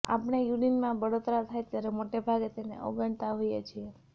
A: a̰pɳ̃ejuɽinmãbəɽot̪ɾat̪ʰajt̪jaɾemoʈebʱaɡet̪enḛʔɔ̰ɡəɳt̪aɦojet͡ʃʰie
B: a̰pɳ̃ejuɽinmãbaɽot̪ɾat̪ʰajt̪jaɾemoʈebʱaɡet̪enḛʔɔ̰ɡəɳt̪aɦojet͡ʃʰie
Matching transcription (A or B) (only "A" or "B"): A